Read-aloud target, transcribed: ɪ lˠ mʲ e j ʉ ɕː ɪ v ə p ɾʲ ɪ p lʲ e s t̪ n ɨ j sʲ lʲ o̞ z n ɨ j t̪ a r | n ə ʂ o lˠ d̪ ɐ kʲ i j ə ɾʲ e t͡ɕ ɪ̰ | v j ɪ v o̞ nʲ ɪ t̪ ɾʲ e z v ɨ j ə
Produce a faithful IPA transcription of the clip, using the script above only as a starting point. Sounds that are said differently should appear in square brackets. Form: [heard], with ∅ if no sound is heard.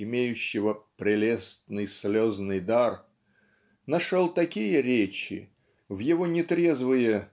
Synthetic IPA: ɪ [∅] mʲ e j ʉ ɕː ɪ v ə p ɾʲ ɪ [∅] lʲ e s t̪ n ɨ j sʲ lʲ o̞ z n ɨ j [d̪] a r | n [ɐ] ʂ o lˠ [t̪] ɐ kʲ i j ə ɾʲ e t͡ɕ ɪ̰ | v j ɪ v o̞ nʲ ɪ t̪ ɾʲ e z v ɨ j ə

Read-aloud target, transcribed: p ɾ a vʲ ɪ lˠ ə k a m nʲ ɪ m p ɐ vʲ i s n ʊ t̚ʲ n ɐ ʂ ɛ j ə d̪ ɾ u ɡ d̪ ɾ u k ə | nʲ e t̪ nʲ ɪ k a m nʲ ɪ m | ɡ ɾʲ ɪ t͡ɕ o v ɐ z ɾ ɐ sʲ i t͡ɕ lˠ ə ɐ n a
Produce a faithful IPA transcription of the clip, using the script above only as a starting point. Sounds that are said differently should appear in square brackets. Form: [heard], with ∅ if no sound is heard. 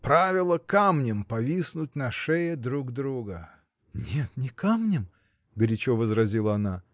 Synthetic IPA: p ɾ a vʲ ɪ lˠ ə k a m nʲ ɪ m p ɐ vʲ i s n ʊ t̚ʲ n ɐ ʂ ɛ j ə d̪ ɾ u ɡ d̪ ɾ u [ɡ] ə | nʲ e t̪ nʲ ɪ k a m nʲ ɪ m | ɡ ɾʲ ɪ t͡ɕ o v [ə] z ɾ ɐ [zʲ] i [∅] lˠ ə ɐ n a

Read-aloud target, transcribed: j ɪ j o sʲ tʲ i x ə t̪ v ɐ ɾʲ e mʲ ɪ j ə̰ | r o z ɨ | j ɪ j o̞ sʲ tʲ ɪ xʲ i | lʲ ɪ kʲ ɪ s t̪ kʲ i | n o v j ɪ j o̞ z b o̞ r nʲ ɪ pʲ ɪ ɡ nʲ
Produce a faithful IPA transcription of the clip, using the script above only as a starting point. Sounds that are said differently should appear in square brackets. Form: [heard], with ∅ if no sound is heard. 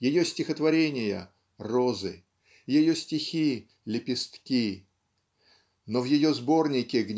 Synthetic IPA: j ɪ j o sʲ tʲ [ɪ] x ə t̪ v ɐ ɾʲ e [nʲ] ɪ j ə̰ | r o z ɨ | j ɪ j o̞ sʲ tʲ ɪ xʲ i | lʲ ɪ [pʲ] ɪ s t̪ kʲ i | n o v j ɪ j o̞ z b o̞ r nʲ ɪ [kʲ] ɪ ɡ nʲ

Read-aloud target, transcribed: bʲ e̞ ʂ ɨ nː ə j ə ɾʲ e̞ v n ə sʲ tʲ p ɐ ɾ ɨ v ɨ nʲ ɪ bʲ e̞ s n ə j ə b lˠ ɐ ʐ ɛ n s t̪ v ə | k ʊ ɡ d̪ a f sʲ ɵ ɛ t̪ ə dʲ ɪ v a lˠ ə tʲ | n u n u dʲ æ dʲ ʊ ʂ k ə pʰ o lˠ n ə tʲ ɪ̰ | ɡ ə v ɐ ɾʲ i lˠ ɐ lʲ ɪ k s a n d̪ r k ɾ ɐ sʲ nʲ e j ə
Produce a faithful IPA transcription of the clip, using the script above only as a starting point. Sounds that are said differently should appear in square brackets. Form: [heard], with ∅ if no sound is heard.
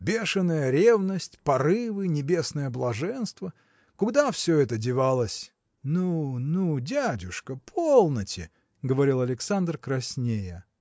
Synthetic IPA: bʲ e̞ ʂ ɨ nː ə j ə ɾʲ e̞ v n ə sʲ tʲ p ɐ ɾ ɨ v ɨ nʲ ɪ bʲ e̞ s n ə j ə b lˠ ɐ ʐ ɛ n s t̪ v ə | k ʊ ɡ d̪ a f sʲ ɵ ɛ t̪ ə dʲ ɪ v a lˠ ə [sʲ] | n u n u dʲ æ dʲ ʊ ʂ k ə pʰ o lˠ n ə tʲ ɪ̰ | ɡ ə v ɐ ɾʲ i lˠ ɐ lʲ ɪ k s a n d̪ r k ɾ ɐ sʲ nʲ e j ə

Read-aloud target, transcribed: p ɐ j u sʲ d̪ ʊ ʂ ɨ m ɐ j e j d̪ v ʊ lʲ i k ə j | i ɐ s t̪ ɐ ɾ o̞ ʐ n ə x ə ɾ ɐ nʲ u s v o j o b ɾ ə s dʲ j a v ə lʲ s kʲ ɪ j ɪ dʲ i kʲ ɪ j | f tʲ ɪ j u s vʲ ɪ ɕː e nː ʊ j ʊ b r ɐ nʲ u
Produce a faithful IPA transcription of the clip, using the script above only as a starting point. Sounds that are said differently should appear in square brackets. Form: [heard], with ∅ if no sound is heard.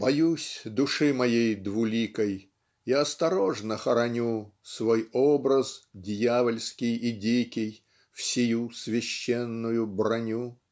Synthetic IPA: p ɐ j u sʲ d̪ ʊ ʂ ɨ m ɐ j e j d̪ v ʊ lʲ i k ə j | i ɐ s t̪ ɐ ɾ o̞ ʐ n ə x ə ɾ ɐ nʲ u s v o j o b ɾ ə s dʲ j a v ə lʲ s kʲ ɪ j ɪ dʲ i kʲ ɪ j | f [sʲ] ɪ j u s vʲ ɪ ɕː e nː ʊ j ʊ b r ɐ nʲ u

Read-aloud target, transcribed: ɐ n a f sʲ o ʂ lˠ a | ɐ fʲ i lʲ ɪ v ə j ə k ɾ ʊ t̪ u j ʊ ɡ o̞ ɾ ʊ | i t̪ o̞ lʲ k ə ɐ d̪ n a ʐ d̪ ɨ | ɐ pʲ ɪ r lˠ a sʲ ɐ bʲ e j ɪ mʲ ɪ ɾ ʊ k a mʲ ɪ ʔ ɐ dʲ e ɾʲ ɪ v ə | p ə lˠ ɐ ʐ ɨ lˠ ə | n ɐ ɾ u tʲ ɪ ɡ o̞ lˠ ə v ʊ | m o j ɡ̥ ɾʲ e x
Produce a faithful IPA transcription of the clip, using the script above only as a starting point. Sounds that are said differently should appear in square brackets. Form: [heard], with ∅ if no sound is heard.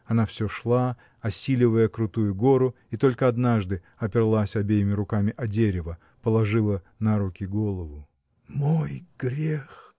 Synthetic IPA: ɐ n a f sʲ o ʂ lˠ a | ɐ [sʲ] i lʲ ɪ v ə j ə k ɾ ʊ t̪ u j ʊ ɡ o̞ ɾ ʊ | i t̪ o̞ lʲ k ə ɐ d̪ n a ʐ d̪ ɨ | ɐ pʲ ɪ r lˠ a sʲ ɐ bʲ e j ɪ mʲ ɪ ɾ ʊ k a mʲ ɪ ʔ ɐ dʲ e ɾʲ ɪ v ə | p ə lˠ ɐ ʐ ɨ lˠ ə | n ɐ ɾ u [kʲ] ɪ ɡ o̞ lˠ ə v ʊ | m o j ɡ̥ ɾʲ e x

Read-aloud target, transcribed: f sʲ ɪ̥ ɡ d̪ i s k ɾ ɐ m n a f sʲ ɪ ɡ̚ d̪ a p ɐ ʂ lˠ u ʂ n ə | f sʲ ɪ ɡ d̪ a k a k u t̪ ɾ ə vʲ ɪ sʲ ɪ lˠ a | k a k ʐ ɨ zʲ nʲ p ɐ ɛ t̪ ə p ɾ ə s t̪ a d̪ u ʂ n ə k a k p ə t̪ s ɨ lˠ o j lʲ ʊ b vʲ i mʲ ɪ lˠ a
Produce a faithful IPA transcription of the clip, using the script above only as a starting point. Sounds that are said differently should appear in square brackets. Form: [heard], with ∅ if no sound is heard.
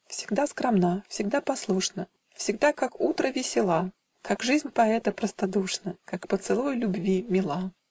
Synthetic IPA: f sʲ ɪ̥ ɡ d̪ [a] s k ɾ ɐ m n a f sʲ ɪ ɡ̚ d̪ a p ɐ [s] lˠ u ʂ n ə | f sʲ ɪ ɡ d̪ a k a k u t̪ ɾ ə vʲ ɪ sʲ ɪ lˠ a | k a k ʐ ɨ zʲ nʲ p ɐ ɛ t̪ ə p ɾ ə s t̪ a d̪ u ʂ n ə k a k p ə t̪ s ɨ lˠ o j lʲ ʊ b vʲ i mʲ ɪ lˠ a

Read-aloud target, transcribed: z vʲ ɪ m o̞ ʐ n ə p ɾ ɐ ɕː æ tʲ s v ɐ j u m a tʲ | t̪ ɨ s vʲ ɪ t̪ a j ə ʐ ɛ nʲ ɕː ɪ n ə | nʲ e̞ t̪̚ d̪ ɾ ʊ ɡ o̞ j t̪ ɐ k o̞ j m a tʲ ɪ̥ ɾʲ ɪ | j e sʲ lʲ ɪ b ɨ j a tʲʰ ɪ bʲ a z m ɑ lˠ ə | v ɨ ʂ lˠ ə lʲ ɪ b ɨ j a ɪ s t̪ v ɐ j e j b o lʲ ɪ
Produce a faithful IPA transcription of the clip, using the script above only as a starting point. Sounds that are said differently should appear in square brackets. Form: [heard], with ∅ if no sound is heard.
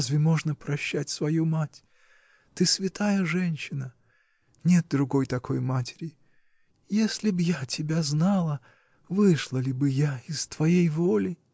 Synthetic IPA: z vʲ ɪ m o̞ ʐ n ə p ɾ ɐ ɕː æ tʲ s v ɐ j u m a tʲ | t̪ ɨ s vʲ ɪ t̪ a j ə ʐ ɛ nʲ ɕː ɪ n ə | nʲ e̞ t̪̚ d̪ ɾ ʊ ɡ o̞ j t̪ ɐ k o̞ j m a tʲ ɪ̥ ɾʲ ɪ | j e sʲ lʲ ɪ b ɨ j a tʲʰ ɪ bʲ a z [n] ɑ lˠ ə | v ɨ ʂ lˠ ə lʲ ɪ b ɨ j a ɪ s t̪ v ɐ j e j [v] o lʲ ɪ

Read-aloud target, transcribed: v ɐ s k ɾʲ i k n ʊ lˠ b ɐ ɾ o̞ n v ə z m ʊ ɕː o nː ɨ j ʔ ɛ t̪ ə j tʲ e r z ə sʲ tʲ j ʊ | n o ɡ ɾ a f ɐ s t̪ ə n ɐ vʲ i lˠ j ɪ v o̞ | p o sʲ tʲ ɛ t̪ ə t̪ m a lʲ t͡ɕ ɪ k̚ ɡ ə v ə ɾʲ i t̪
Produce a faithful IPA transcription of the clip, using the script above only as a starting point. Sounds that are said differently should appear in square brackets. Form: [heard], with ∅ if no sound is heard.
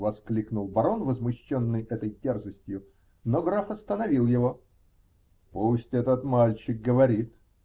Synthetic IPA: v ɐ s k [lʲ] i k n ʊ lˠ b ɐ ɾ o̞ n v ə z m ʊ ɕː o nː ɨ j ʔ ɛ t̪ ə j tʲ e r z ə sʲ tʲ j ʊ | n o ɡ ɾ a f ɐ s t̪ ə n ɐ vʲ i lˠ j ɪ v o̞ | p [u] sʲ tʲ ɛ t̪ ə t̪ m a lʲ t͡ɕ ɪ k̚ ɡ ə v [ɐ] ɾʲ i t̪

